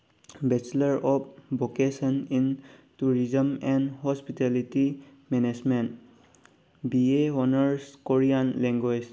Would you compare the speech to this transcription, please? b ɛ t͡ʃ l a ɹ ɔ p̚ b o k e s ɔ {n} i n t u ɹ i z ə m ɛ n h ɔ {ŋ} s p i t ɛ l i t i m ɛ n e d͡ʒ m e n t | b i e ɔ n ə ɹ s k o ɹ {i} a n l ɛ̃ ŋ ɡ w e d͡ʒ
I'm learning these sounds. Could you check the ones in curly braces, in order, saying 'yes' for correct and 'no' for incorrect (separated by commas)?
yes, no, yes